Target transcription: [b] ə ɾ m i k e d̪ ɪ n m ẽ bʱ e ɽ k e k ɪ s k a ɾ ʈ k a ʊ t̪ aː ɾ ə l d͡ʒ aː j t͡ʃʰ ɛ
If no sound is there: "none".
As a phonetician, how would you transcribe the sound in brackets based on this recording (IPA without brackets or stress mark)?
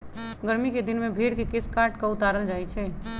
ɡ